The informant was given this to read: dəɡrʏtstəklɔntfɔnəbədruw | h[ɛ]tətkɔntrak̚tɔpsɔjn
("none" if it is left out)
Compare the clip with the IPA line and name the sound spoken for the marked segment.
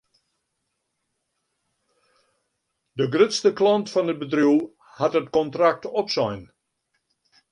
a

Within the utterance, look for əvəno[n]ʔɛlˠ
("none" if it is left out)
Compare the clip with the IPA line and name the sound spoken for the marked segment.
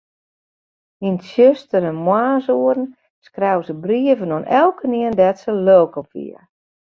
n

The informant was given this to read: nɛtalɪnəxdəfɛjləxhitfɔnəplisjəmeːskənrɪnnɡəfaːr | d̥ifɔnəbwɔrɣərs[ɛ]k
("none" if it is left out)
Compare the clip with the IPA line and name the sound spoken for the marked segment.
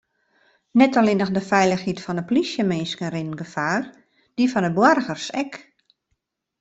ɛ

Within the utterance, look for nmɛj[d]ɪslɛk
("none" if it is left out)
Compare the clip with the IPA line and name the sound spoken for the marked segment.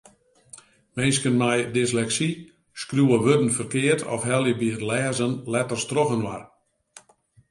d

